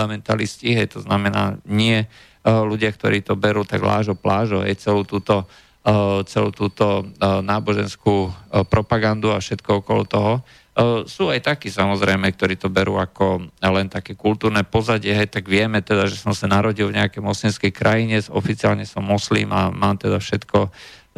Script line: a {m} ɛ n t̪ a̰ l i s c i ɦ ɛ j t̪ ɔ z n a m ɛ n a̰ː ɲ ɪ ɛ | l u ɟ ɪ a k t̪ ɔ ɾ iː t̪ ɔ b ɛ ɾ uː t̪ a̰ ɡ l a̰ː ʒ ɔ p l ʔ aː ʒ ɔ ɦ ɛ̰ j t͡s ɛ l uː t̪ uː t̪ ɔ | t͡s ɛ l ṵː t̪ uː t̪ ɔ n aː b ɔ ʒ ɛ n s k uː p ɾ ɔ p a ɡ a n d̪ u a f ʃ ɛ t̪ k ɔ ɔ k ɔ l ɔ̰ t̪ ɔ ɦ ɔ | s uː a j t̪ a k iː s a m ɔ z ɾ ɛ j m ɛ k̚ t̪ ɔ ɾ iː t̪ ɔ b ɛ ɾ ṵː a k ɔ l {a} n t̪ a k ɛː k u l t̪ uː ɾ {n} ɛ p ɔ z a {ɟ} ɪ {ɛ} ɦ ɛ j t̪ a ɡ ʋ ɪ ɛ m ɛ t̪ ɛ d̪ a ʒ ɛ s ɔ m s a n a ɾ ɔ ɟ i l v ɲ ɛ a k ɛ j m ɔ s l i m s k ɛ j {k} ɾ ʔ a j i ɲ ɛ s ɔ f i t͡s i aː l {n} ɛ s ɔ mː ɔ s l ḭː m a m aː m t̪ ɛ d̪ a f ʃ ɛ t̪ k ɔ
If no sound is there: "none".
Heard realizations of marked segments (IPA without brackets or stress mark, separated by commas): m, ɛ, n, ɟ, ɛ, k, ɲ